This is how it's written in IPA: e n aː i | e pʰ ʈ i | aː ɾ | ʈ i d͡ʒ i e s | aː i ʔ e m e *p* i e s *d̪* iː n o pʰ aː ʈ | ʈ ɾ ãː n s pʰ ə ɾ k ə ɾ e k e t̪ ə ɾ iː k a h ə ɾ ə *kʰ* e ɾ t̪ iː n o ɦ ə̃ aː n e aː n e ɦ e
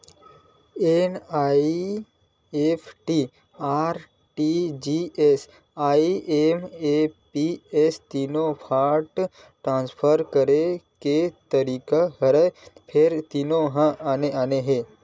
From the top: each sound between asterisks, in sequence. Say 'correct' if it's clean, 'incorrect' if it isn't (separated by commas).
correct, incorrect, incorrect